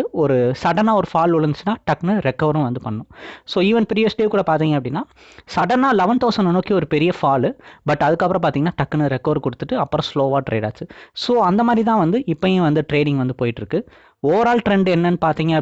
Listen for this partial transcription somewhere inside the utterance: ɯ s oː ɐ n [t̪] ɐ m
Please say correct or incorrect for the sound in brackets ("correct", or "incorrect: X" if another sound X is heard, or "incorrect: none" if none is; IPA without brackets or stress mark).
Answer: incorrect: d̪